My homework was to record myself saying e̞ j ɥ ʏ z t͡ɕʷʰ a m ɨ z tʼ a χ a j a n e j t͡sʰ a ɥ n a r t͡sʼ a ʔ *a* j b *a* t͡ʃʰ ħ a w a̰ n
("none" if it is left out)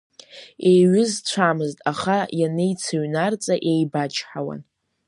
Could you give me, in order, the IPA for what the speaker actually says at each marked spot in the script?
e, a

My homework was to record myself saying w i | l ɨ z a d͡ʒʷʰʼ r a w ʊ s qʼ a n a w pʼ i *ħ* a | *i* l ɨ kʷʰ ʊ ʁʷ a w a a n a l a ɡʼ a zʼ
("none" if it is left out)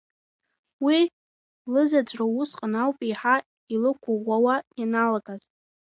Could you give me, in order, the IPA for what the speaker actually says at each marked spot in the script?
ħ, i

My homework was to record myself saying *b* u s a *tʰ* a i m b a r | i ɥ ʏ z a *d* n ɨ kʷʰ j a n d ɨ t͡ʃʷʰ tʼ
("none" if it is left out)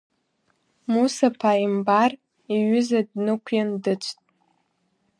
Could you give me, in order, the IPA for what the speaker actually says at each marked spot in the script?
m, pʰ, d

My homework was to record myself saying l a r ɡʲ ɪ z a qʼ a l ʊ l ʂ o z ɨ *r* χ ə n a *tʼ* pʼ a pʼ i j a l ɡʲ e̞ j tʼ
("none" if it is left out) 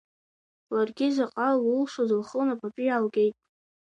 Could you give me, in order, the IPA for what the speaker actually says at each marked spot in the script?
l, none

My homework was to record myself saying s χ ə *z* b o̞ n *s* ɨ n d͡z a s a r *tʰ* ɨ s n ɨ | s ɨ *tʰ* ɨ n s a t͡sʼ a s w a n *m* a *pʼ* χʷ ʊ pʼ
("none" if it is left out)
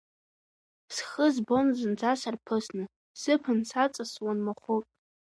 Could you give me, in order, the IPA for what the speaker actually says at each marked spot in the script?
z, z, pʰ, pʰ, m, none

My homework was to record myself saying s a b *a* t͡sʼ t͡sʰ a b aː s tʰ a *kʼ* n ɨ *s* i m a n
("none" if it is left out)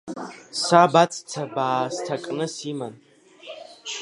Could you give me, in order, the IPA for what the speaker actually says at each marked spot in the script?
a, kʼ, s

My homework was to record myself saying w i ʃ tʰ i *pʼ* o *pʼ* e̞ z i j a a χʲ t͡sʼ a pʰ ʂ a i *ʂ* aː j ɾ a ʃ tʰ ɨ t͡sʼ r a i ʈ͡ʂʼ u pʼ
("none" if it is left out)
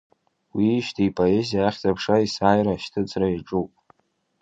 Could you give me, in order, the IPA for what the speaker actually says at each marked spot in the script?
pʼ, none, s

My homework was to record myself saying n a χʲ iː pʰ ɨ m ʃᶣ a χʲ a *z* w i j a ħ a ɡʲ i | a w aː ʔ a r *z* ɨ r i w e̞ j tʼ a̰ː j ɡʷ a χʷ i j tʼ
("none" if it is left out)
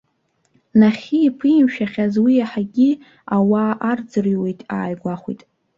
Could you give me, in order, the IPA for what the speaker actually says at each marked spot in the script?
z, d͡z

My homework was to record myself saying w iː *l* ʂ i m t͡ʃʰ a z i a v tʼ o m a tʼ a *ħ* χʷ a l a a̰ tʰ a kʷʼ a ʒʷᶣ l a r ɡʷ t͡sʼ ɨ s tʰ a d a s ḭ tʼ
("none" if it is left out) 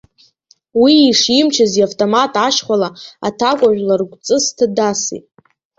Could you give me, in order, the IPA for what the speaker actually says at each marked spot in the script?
none, ʃ

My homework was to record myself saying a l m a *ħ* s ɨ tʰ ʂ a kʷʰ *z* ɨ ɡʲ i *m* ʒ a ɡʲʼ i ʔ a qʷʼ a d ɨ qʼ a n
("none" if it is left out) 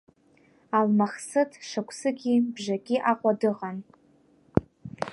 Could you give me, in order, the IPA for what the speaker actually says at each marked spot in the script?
χ, s, b

